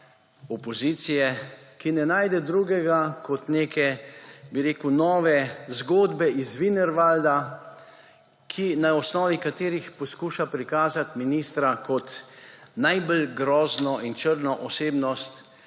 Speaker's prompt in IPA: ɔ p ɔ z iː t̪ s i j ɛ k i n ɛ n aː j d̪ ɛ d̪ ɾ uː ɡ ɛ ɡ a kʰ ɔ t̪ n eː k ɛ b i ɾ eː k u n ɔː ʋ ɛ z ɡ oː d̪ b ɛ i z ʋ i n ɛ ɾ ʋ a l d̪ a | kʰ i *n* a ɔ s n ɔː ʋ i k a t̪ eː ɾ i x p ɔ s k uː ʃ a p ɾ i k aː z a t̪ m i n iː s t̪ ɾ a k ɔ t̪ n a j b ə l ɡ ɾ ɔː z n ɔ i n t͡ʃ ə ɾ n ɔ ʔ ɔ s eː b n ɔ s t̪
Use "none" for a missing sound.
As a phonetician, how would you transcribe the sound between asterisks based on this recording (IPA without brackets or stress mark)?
n